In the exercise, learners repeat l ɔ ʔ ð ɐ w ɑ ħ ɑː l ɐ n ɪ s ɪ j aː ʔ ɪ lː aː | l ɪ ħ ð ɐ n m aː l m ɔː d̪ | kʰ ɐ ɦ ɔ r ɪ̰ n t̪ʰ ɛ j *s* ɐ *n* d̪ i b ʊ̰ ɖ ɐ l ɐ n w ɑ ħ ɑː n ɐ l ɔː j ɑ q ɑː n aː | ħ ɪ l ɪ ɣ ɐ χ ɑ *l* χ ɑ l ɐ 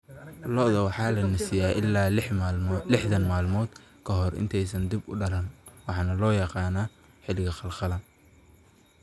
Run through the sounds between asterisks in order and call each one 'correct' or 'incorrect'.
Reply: correct, correct, correct

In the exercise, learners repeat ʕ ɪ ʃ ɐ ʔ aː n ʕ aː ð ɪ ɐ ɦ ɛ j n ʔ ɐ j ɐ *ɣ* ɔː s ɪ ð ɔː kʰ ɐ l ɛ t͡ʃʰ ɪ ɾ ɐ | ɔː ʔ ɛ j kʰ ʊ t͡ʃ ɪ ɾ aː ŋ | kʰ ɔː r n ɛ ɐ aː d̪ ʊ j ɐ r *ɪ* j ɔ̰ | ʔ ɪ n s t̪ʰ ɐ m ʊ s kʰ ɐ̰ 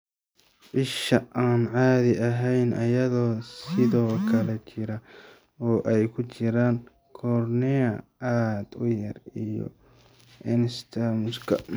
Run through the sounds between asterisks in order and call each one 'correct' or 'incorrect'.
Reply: incorrect, incorrect

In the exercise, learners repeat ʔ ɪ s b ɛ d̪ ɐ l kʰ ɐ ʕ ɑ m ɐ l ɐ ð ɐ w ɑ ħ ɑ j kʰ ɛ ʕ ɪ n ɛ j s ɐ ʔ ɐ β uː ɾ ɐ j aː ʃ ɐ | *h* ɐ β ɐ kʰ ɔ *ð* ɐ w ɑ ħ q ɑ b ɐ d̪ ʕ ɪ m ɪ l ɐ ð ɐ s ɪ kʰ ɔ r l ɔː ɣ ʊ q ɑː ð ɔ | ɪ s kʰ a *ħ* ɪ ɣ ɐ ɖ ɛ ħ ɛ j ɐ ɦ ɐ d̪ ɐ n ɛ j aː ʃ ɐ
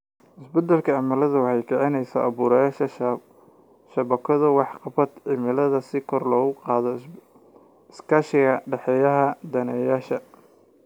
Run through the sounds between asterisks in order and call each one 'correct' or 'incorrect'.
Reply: incorrect, correct, incorrect

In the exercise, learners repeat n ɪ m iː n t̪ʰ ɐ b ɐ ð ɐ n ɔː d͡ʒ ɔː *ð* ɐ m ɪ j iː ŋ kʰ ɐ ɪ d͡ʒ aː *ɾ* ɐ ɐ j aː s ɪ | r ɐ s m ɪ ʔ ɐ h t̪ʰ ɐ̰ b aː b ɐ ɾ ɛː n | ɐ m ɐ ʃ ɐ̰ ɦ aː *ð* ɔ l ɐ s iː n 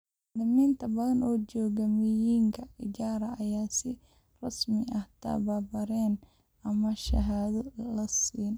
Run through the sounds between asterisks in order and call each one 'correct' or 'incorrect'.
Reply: incorrect, correct, correct

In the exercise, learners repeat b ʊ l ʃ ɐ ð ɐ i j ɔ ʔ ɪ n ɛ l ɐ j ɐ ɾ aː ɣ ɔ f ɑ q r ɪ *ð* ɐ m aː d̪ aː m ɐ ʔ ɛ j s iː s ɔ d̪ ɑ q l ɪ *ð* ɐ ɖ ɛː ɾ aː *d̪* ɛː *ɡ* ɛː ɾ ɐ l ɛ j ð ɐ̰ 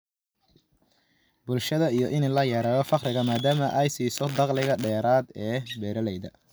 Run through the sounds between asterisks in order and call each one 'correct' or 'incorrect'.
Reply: incorrect, incorrect, correct, incorrect

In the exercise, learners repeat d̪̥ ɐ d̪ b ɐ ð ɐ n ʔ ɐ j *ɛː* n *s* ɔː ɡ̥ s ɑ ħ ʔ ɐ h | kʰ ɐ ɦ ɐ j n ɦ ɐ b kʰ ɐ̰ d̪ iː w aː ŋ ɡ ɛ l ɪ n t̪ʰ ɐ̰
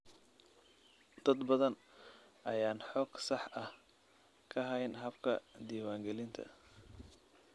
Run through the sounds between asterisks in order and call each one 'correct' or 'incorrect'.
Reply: incorrect, incorrect

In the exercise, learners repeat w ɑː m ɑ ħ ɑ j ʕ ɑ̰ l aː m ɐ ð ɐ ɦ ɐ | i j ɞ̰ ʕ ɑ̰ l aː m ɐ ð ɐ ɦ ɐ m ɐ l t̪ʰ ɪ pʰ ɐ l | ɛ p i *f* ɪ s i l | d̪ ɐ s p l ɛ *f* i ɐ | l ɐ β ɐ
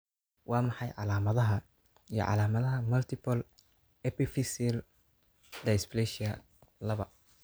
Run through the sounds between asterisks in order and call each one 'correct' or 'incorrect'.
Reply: correct, incorrect

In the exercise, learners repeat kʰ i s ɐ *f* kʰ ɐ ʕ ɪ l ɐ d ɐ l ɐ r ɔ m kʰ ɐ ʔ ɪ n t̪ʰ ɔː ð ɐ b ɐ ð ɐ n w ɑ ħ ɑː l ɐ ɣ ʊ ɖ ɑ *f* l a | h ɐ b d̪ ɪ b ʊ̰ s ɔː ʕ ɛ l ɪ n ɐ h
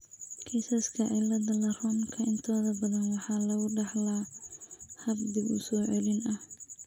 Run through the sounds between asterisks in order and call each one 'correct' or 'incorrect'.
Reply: incorrect, incorrect

